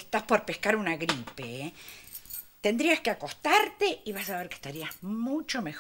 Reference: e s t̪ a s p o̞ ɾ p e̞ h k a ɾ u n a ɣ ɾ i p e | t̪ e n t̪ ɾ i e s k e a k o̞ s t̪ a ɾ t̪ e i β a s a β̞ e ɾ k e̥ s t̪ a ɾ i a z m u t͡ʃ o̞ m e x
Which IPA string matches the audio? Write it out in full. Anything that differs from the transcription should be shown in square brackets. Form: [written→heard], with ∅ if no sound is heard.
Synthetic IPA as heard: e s t̪ a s p o̞ ɾ p e̞ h k a ɾ u n a ɣ ɾ i p e | t̪ e n [t̪→d̪] ɾ i [e→a] s k e a k o̞ s t̪ a ɾ t̪ e i β a s a β̞ e ɾ k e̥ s t̪ a ɾ i a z m u t͡ʃ o̞ m e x